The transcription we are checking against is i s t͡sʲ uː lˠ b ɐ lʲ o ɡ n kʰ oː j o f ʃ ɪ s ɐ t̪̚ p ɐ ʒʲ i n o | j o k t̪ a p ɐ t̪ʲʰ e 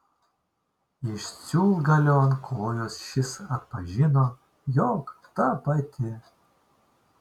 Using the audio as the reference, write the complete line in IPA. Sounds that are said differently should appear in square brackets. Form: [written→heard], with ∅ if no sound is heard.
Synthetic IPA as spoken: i [s→ʃ] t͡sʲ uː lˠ [b→ɡ] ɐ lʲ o [ɡ→∅] n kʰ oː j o [f→s] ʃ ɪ s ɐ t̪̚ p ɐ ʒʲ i n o | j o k t̪ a p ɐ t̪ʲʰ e